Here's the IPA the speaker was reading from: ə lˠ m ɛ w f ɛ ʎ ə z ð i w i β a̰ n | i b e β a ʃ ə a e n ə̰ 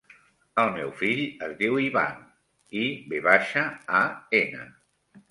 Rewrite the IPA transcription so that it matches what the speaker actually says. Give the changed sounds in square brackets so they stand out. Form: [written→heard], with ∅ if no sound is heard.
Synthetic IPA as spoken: ə lˠ m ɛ w f [ɛ→i] ʎ ə z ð i w i β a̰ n | i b e β a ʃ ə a e n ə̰